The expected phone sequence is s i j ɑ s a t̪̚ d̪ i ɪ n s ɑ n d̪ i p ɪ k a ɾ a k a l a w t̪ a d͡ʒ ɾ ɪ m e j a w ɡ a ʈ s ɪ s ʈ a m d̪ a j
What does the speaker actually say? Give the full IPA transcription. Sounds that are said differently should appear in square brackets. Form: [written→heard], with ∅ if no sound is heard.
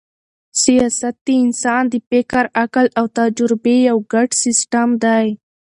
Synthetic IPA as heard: s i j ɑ s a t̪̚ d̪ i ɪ n s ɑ n d̪ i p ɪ k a ɾ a k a l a w t̪ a d͡ʒ ɾ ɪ [m→b] e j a w ɡ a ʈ s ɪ s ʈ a m d̪ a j